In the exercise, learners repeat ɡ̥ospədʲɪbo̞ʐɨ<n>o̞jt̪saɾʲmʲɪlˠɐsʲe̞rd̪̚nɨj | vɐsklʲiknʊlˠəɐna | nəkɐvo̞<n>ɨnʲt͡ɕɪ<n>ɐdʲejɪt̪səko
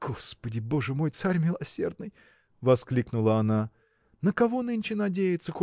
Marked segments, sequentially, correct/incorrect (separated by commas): incorrect, correct, correct